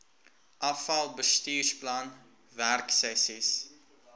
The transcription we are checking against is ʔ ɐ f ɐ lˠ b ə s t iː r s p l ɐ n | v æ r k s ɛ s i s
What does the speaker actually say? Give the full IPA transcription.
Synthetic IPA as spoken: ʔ ɐ f ɐ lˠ b ə s t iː r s p l ɐ n | v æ r k s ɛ s i s